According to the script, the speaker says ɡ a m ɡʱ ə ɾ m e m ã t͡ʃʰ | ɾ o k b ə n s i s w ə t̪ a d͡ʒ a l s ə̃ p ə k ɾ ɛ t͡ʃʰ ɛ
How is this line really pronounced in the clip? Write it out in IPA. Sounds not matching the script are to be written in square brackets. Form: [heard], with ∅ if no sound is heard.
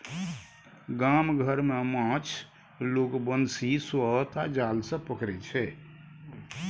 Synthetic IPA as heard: ɡ a m ɡʱ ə ɾ m e m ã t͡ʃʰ | [l] o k b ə n s i s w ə t̪ a d͡ʒ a l s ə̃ p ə k ɾ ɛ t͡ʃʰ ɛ